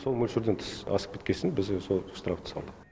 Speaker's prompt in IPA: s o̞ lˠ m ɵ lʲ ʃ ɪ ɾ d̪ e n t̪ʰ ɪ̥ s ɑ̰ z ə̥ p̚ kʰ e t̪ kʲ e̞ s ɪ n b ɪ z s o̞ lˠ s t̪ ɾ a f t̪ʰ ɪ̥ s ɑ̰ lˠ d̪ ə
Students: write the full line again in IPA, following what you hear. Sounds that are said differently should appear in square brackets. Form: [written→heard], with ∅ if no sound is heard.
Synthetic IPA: s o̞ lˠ m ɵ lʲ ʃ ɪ ɾ d̪ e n t̪ʰ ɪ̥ s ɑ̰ [z→s] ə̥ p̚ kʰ e t̪ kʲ e̞ s ɪ n b ɪ z s o̞ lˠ s t̪ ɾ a f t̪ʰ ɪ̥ s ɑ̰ lˠ d̪ ə